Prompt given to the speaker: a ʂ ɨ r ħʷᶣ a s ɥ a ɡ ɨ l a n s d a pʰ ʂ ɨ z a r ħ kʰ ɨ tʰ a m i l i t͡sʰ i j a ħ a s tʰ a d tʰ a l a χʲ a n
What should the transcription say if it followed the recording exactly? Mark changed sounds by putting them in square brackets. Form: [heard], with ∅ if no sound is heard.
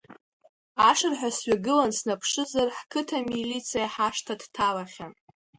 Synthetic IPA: a ʂ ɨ r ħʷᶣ a s ɥ a ɡ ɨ l a n s [n] a pʰ ʂ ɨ z a r ħ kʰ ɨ tʰ a m i l i t͡sʰ i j a ħ a [ʂ] tʰ a d tʰ a l a χʲ a n